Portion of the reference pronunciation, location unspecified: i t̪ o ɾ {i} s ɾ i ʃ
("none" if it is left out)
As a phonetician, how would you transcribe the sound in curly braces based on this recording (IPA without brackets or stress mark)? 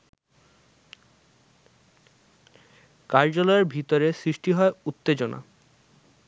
e